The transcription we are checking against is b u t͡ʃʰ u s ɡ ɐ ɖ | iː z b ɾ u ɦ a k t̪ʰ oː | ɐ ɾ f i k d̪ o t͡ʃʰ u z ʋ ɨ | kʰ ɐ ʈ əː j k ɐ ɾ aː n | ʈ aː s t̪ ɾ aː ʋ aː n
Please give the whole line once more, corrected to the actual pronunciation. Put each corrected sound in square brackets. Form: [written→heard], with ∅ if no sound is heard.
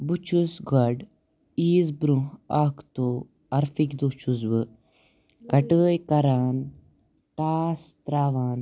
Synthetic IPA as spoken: b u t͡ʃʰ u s ɡ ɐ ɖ | iː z b ɾ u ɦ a k [t̪ʰ→t̪] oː | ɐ ɾ f i k d̪ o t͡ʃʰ u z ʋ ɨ | [kʰ→k] ɐ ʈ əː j k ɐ ɾ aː n | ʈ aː s t̪ ɾ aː ʋ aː n